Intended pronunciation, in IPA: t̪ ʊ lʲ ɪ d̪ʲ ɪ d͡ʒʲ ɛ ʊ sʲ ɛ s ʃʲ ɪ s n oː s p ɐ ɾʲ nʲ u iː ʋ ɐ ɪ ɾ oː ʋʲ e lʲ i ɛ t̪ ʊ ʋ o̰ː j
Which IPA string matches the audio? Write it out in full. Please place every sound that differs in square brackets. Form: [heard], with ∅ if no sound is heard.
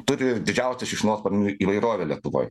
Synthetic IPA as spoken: t̪ ʊ [ɾʲ] ɪ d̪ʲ ɪ d͡ʒʲ ɛ ʊ sʲ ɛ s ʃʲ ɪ [ʃ] n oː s p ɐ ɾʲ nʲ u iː ʋ ɐ ɪ ɾ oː ʋʲ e lʲ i ɛ t̪ ʊ ʋ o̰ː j